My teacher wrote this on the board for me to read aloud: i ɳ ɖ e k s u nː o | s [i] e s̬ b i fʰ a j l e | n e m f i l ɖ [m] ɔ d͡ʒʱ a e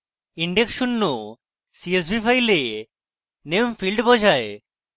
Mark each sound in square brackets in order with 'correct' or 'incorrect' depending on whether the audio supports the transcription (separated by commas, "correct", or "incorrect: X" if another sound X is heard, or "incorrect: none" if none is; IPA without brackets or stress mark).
correct, incorrect: b